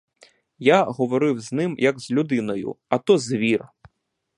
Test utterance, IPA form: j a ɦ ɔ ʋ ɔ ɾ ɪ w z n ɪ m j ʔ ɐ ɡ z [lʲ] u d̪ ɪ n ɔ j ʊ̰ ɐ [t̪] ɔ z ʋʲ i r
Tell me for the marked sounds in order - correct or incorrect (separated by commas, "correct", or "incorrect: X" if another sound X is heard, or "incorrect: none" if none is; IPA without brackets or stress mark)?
correct, correct